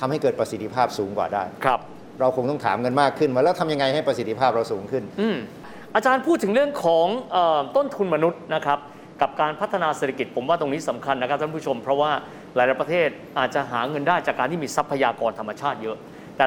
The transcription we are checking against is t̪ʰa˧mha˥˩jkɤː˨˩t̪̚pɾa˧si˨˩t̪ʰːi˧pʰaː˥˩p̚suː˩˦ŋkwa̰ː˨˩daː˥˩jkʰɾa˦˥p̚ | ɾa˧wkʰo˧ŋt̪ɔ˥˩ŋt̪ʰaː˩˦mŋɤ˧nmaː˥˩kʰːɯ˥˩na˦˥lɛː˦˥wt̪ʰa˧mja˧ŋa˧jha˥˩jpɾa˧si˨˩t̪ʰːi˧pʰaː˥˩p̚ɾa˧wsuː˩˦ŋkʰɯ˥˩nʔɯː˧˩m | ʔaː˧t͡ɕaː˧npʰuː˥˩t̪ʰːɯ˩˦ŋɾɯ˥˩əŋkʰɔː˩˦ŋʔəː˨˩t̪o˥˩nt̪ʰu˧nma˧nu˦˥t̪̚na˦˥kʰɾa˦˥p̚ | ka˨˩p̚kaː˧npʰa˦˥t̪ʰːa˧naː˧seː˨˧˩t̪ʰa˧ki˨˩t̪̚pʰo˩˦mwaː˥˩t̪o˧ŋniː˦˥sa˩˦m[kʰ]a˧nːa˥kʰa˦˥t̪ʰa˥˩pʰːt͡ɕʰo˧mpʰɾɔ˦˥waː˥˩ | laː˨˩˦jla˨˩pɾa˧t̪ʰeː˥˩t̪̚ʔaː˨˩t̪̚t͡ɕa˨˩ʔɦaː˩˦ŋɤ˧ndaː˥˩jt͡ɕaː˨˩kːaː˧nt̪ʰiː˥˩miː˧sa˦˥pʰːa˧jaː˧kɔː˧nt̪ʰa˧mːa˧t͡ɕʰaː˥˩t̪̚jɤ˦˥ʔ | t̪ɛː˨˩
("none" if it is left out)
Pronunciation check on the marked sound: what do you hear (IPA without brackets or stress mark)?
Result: kʰ